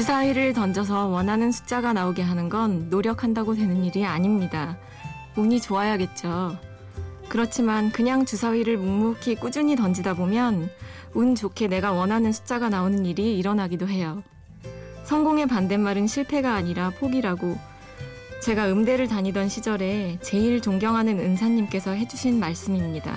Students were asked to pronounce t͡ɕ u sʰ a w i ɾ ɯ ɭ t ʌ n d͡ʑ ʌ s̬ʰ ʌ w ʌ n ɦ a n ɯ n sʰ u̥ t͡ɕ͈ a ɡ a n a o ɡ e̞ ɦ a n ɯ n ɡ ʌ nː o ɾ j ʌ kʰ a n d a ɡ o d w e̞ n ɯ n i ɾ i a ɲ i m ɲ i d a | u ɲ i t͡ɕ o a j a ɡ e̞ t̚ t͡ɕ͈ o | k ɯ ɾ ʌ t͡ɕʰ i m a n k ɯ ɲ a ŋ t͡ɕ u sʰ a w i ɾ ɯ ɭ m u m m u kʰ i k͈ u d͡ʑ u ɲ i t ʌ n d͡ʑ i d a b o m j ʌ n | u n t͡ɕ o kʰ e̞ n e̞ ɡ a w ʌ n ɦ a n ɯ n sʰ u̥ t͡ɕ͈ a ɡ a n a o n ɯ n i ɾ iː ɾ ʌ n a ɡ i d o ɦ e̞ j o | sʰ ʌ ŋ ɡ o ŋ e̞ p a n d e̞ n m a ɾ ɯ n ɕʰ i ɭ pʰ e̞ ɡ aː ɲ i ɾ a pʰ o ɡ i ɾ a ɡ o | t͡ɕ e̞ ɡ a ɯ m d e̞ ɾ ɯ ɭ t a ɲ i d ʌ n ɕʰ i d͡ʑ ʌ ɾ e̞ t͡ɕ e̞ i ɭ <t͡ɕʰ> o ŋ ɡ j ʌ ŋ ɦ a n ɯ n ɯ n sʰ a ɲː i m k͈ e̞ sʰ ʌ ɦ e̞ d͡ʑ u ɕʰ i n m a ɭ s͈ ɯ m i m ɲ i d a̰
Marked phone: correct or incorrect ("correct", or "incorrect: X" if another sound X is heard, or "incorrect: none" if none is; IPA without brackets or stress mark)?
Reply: incorrect: t͡ɕ